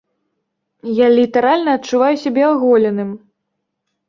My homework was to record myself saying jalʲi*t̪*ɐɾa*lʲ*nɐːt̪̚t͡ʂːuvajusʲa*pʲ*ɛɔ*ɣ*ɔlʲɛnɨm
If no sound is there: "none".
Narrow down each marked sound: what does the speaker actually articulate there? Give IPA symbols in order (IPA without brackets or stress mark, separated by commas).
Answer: t̪, lʲ, bʲ, ɣ